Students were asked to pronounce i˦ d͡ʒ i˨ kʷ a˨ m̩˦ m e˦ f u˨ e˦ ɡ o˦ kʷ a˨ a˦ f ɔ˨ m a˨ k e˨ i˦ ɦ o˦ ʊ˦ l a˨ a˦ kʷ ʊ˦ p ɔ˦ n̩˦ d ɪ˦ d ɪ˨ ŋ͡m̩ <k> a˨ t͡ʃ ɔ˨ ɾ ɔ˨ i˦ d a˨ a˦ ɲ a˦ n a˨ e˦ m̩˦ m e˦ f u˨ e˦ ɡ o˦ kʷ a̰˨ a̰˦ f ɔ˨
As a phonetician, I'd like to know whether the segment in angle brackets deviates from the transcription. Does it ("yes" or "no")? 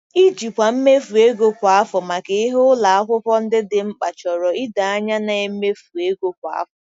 yes